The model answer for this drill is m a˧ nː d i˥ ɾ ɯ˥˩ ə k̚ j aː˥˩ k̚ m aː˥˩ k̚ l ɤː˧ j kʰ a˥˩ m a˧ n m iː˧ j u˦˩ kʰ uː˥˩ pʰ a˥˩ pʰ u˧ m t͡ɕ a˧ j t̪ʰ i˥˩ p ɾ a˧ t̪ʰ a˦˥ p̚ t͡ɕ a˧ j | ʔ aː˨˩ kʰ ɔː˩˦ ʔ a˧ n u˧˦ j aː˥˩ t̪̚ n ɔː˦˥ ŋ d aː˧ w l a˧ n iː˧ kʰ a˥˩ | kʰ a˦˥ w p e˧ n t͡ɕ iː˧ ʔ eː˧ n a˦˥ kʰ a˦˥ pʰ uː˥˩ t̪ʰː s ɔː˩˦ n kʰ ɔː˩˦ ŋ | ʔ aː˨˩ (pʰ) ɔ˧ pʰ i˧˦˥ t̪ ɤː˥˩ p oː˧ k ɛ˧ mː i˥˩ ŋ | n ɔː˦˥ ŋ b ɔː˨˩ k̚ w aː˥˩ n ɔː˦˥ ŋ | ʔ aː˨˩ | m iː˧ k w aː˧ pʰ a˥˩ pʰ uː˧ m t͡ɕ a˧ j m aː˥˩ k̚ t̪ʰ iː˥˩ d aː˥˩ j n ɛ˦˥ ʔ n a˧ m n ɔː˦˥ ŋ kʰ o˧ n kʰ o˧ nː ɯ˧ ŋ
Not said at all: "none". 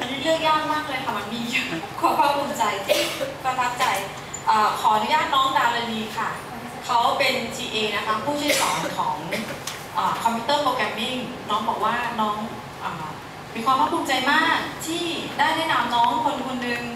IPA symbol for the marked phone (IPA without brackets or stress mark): kʰ